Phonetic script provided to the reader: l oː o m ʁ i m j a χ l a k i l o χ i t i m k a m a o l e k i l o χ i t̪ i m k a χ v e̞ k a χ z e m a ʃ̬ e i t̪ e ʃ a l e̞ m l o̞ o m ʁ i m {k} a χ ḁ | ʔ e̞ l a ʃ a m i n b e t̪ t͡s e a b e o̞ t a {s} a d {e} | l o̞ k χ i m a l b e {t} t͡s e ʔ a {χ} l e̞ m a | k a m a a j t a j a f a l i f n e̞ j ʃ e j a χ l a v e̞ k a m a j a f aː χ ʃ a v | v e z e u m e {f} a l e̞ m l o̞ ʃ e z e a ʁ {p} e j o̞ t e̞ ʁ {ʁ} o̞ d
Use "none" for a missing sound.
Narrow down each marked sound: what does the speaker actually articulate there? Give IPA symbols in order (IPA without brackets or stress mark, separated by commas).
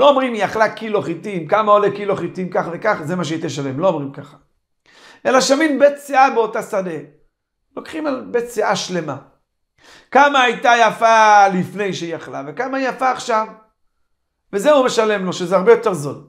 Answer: k, s, e, t, ʃ, ʃ, b, z